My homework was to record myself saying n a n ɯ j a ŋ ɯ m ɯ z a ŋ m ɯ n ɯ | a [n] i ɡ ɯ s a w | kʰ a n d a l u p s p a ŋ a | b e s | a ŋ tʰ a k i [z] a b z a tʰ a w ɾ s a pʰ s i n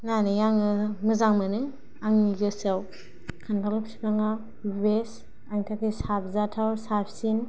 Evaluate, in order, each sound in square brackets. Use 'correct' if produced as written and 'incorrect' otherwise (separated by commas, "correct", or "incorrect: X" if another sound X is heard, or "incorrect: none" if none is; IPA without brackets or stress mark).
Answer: incorrect: ŋ, incorrect: s